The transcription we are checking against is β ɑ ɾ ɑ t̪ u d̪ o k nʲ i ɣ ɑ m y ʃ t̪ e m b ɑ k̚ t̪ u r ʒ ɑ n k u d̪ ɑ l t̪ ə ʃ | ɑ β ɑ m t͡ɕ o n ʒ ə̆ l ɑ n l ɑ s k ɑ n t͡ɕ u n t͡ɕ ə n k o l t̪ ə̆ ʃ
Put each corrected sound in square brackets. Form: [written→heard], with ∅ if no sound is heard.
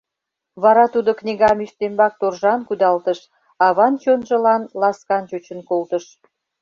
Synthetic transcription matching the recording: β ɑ ɾ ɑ t̪ u d̪ o k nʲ i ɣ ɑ m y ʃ t̪ e m b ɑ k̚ t̪ [u→o] r ʒ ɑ n k u d̪ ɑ l t̪ ə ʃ | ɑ β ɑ [m→n] t͡ɕ o n ʒ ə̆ l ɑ n l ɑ s k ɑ n t͡ɕ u [n→∅] t͡ɕ ə n k o l t̪ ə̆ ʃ